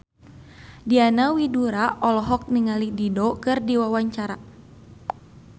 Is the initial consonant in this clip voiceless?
no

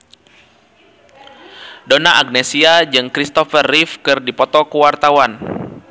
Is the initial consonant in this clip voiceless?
no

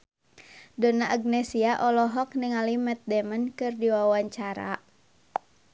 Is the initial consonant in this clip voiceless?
no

